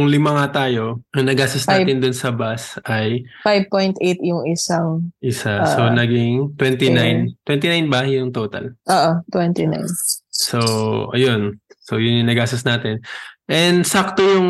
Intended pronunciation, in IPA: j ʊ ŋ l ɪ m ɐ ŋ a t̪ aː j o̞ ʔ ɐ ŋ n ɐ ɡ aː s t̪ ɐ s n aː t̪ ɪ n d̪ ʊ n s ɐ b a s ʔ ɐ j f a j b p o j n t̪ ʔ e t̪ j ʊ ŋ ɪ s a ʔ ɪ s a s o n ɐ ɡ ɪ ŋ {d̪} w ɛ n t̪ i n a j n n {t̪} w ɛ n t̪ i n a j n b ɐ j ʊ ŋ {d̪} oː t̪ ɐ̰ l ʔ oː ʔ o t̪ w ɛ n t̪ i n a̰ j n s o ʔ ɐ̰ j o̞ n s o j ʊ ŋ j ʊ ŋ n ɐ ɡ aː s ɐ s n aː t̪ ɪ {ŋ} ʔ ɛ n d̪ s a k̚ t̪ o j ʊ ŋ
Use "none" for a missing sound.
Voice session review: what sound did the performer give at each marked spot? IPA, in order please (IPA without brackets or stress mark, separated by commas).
t̪, t̪, t̪, n